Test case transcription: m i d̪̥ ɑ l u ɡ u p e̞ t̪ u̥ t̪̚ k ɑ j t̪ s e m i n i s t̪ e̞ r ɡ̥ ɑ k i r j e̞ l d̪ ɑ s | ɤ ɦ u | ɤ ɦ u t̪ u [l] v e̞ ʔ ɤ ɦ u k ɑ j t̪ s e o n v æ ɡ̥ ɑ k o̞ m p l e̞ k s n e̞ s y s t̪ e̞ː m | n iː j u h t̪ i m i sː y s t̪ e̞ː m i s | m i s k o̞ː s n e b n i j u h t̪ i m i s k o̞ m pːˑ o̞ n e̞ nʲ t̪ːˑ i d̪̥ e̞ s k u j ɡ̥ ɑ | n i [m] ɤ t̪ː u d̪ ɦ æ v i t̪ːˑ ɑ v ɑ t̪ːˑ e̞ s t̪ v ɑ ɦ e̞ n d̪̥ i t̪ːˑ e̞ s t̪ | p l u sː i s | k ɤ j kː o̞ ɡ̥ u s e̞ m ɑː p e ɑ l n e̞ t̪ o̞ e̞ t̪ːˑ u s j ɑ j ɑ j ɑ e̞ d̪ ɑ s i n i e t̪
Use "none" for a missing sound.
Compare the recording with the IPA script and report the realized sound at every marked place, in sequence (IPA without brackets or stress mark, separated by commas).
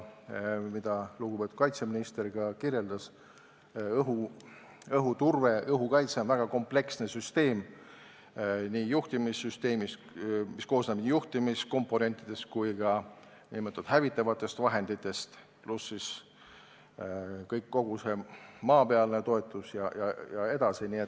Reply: r, m